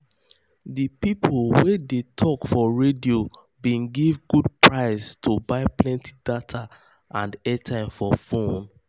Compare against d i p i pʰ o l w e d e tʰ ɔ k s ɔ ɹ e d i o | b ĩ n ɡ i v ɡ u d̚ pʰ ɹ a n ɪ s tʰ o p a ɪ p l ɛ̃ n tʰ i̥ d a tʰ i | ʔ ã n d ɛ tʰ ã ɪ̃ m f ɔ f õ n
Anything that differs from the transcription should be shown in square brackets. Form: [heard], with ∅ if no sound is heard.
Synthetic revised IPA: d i p i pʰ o l w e d e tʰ ɔ k [f] ɔ ɹ e d i o | b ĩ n ɡ i v ɡ u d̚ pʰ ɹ a [∅] ɪ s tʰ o [b] a ɪ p l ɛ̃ n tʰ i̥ d a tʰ [a] | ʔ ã n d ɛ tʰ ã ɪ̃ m f ɔ f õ n